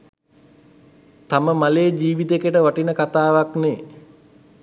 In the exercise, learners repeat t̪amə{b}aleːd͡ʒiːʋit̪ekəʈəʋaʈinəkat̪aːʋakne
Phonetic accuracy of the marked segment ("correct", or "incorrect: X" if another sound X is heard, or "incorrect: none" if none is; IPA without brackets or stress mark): incorrect: m